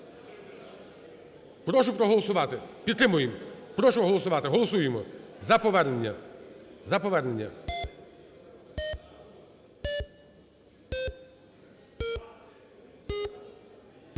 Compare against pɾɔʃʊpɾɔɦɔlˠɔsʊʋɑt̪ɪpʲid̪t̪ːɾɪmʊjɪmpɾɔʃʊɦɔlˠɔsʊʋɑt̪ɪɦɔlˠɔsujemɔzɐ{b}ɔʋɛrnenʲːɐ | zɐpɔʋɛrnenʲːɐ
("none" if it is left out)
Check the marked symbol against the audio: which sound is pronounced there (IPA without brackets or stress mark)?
p